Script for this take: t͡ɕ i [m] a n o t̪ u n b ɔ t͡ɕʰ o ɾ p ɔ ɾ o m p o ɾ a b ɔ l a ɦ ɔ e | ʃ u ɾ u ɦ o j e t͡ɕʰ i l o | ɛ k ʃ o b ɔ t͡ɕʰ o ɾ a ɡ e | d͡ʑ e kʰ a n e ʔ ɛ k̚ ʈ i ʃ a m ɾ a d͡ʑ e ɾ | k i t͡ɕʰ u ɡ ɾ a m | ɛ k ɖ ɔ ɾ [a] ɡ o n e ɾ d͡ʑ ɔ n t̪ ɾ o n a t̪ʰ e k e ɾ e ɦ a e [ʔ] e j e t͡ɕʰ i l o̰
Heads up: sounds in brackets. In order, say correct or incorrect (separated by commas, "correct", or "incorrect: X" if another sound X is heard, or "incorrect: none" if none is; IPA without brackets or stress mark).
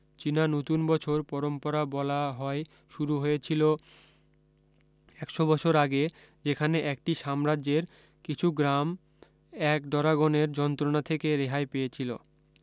incorrect: n, correct, incorrect: p